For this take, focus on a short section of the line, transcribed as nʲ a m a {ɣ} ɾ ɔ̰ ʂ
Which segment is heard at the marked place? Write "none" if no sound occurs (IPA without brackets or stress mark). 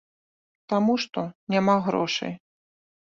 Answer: ɣ